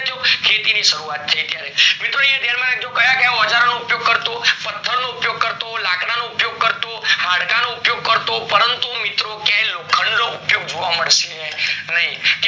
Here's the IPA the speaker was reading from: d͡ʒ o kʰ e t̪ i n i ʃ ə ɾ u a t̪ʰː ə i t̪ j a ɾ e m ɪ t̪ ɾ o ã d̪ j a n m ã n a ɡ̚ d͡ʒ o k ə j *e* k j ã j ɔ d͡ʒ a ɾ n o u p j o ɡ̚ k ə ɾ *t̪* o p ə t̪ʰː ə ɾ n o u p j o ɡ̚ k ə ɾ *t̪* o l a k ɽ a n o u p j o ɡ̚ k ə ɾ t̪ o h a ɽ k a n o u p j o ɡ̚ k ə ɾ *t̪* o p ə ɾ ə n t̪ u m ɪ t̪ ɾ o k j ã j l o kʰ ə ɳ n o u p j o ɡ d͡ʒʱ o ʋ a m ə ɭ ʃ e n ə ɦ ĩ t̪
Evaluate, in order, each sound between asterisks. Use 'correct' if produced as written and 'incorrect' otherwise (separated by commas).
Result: incorrect, correct, correct, correct